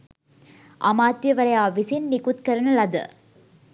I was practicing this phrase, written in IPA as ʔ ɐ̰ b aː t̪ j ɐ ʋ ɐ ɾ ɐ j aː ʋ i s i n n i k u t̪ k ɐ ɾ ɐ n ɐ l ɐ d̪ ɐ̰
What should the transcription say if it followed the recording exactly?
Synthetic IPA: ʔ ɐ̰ m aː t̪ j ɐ ʋ ɐ ɾ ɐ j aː ʋ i s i n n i k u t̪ k ɐ ɾ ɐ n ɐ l ɐ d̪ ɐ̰